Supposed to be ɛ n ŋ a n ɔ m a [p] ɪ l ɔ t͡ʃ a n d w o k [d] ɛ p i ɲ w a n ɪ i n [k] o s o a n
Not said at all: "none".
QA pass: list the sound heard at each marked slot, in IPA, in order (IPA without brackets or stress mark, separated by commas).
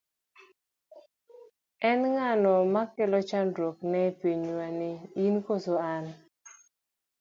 k, n, k